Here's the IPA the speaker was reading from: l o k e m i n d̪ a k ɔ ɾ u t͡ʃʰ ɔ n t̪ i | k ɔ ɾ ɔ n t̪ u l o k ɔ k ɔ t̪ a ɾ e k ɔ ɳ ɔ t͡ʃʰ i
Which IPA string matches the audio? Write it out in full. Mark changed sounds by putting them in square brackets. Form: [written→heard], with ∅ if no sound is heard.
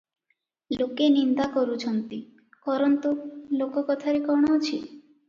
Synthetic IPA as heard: l o k e [m→n] i n d̪ a k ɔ ɾ u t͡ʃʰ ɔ n t̪ i | k ɔ ɾ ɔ n t̪ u l o k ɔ k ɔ [t̪→t̪ʰ] a ɾ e k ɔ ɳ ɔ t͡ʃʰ i